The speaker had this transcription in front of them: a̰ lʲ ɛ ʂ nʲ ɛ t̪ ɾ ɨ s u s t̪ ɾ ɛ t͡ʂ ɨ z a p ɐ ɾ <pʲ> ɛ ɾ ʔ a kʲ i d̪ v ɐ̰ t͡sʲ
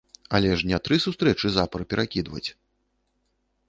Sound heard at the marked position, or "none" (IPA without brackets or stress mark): pʲ